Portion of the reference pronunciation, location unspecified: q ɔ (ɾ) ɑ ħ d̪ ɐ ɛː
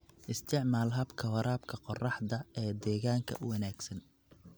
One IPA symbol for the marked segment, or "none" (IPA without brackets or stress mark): r